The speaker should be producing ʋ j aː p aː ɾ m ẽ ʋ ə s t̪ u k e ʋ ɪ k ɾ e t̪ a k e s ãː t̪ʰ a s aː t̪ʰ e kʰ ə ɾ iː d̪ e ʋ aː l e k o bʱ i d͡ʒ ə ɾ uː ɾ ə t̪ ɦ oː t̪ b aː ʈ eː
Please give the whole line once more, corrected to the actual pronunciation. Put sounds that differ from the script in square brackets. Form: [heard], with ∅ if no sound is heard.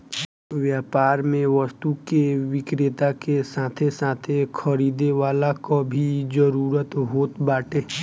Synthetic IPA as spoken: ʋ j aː p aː ɾ m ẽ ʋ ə s t̪ u k e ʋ ɪ k ɾ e t̪ a k e s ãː t̪ʰ [e] s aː t̪ʰ e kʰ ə ɾ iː d̪ e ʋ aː l [a] k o bʱ i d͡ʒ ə ɾ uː ɾ ə t̪ ɦ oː t̪ b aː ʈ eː